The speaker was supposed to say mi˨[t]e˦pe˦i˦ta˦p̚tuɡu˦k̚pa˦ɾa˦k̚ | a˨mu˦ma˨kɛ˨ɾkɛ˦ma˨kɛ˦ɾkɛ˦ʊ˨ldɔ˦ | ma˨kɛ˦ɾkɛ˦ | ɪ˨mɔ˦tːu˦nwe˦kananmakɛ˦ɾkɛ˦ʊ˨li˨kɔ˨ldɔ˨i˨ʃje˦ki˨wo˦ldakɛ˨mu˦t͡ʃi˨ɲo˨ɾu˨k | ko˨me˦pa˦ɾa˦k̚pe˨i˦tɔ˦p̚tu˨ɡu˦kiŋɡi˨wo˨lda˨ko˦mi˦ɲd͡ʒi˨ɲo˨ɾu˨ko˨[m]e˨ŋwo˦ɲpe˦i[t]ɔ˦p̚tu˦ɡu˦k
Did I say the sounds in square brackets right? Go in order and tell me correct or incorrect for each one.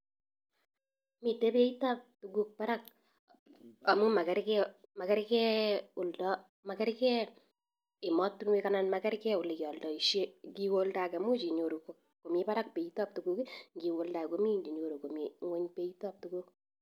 correct, correct, correct

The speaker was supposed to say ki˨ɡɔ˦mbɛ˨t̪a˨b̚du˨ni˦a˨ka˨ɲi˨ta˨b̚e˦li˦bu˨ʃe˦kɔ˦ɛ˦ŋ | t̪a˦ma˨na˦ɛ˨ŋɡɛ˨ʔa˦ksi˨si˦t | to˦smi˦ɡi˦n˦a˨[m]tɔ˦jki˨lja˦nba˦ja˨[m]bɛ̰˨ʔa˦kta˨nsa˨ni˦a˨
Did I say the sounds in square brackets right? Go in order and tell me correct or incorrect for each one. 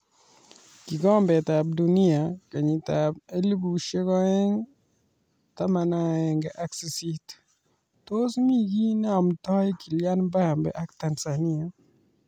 correct, correct

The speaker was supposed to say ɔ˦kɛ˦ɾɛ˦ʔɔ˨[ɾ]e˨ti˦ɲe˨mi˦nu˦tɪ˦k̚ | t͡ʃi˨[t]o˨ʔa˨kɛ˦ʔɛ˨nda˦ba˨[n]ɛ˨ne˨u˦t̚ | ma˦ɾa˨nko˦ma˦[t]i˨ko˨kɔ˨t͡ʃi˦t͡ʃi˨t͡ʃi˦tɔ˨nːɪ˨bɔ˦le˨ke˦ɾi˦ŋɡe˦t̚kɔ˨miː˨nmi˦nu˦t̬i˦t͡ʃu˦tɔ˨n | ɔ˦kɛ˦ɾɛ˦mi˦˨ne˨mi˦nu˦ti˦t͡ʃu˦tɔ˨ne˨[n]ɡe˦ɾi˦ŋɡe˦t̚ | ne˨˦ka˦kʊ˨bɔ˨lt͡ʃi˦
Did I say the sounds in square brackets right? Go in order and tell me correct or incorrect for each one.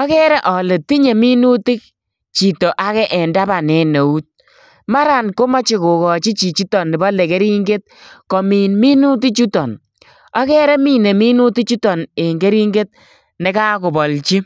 incorrect: l, correct, correct, incorrect: t͡ʃ, incorrect: ŋ

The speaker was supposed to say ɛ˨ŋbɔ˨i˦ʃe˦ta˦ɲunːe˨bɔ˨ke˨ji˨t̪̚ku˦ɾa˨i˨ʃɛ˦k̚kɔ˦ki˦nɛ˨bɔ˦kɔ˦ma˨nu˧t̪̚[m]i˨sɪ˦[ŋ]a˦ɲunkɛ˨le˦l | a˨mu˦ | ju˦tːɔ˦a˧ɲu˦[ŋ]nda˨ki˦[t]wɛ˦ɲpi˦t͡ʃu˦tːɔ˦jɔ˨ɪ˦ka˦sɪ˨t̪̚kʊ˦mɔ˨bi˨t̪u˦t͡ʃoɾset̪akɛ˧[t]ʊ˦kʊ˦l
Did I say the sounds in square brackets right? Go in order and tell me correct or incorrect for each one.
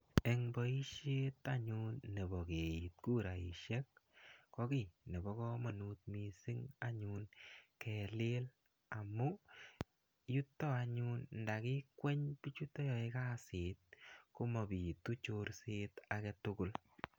correct, correct, incorrect: n, incorrect: k, correct

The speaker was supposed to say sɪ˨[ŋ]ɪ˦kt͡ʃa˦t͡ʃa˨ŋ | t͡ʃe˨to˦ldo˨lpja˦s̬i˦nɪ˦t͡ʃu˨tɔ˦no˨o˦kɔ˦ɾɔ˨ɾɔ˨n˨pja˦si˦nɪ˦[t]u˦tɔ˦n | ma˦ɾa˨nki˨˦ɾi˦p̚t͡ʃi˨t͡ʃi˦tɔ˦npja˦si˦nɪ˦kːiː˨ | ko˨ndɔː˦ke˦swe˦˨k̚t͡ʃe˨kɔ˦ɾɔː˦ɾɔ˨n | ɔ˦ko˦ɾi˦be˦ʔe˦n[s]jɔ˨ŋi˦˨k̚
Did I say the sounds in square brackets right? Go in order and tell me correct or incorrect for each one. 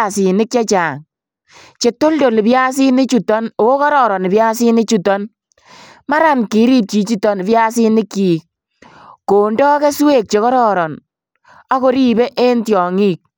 incorrect: n, incorrect: t͡ʃ, incorrect: t

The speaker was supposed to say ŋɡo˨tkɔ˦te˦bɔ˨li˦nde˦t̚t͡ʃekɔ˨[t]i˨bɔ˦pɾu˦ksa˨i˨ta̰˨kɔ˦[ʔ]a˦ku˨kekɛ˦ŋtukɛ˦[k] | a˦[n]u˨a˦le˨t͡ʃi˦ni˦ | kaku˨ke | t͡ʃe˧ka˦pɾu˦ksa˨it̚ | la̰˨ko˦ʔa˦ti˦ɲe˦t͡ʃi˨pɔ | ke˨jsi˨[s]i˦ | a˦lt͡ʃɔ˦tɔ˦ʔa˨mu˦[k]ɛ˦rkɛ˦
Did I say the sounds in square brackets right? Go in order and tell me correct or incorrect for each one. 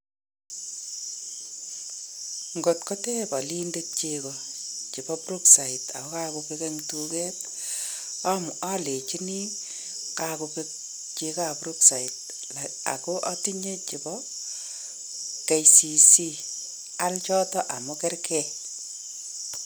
incorrect: t͡ʃ, incorrect: k, incorrect: t, incorrect: m, correct, correct

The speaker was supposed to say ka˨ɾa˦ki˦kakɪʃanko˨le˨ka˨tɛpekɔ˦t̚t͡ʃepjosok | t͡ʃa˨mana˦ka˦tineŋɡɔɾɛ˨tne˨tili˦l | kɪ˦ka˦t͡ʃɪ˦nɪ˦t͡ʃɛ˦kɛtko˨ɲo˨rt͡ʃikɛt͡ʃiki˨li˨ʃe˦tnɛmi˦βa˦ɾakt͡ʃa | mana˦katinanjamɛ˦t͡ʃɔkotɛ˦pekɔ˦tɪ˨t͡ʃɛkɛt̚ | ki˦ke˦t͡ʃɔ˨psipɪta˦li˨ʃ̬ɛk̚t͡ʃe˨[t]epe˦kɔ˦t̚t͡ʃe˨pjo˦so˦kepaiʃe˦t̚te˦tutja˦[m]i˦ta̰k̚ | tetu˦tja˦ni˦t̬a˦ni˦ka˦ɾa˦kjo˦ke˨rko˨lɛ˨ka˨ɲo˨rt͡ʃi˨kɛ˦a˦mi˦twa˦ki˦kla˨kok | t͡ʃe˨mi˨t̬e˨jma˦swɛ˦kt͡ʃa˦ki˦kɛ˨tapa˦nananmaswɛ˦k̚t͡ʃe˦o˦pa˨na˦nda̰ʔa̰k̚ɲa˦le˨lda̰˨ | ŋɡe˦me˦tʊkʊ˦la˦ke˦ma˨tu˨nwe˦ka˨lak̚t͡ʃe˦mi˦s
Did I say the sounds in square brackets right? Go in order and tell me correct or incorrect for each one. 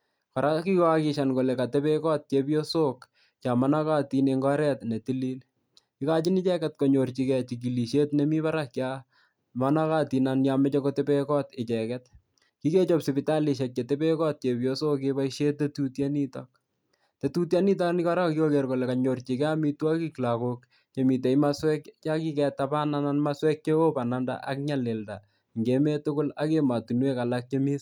correct, incorrect: n

